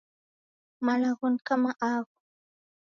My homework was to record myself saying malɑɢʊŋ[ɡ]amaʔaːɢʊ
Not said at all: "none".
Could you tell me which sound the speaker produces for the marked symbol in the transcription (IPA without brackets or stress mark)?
k